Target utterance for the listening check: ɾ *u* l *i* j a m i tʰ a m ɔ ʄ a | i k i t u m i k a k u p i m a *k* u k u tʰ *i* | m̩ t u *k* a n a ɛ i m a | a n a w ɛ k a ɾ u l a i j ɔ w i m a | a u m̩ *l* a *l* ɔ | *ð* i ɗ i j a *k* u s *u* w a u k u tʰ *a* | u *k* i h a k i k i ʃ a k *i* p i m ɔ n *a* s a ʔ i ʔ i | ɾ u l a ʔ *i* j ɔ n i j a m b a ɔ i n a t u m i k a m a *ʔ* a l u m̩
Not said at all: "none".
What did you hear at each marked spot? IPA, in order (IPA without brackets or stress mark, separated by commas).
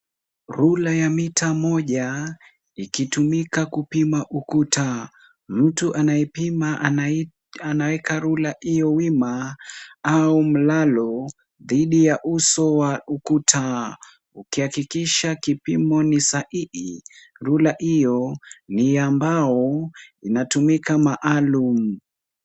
u, a, ʔ, a, ʔ, l, l, ð, ʔ, ɔ, a, k, i, i, i, ʔ